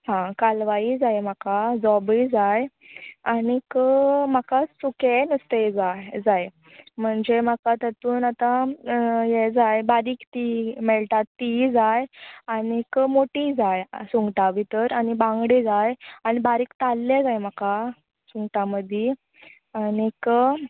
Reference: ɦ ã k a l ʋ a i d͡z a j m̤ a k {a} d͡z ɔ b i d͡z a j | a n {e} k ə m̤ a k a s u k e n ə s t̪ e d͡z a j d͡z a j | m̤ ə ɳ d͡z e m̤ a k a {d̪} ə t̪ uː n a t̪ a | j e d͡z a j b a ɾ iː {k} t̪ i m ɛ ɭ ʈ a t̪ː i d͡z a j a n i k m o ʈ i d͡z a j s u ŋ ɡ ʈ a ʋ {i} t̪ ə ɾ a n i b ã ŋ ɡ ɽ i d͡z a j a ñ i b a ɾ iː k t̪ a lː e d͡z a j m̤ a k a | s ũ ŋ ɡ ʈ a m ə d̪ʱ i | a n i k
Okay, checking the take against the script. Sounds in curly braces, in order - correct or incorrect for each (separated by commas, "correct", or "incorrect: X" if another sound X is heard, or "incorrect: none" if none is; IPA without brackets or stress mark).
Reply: correct, incorrect: i, incorrect: t̪, correct, correct